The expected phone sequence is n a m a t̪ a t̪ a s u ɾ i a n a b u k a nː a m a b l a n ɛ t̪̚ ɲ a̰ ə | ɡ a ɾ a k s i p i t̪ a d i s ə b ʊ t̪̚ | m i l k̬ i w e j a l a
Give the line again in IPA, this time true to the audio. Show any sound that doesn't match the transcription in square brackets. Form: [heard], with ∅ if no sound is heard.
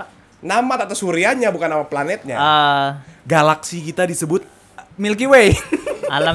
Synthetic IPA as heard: n a m a t̪ a t̪ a s u ɾ i a [ɲ] a b u k a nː a m a [p] l a n ɛ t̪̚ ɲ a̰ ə | ɡ a [l] a k s i [k] i t̪ a d i s ə b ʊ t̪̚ | m i l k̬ i w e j a l a